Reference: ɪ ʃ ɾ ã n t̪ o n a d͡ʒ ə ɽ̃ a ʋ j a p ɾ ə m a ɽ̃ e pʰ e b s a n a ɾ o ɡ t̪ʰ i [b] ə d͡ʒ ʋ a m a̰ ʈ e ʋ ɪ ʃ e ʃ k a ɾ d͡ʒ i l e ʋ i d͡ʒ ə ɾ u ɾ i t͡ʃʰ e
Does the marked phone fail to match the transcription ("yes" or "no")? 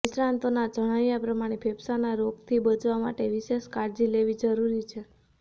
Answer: no